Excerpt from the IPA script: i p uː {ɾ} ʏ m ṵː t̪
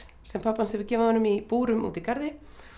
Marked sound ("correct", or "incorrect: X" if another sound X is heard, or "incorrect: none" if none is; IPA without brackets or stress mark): correct